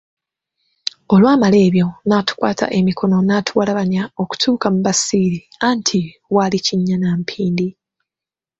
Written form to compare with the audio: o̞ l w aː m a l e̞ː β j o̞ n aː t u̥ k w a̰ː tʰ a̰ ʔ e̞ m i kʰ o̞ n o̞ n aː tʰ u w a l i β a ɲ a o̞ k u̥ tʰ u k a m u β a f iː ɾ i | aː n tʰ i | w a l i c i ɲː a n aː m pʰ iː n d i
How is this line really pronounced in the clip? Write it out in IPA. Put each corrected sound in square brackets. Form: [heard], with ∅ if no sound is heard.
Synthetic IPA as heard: o̞ l w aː m a l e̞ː β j o̞ n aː t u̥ k w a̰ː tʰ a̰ ʔ e̞ m i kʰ o̞ n o̞ n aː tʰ u w a l [a] β a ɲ a o̞ k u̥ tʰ [uː] k a m u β a [s] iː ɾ i | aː n tʰ i | w a l i c i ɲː a n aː m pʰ iː n d i